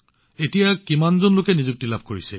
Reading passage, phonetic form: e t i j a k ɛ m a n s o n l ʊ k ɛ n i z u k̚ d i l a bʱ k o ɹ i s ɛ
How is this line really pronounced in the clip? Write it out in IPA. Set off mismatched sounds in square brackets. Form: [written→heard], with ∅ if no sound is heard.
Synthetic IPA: e t i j a k [ɛ→i] m a n [s→z] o n l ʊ k ɛ n i z u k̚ [d→t] i l a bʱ k o ɹ i s ɛ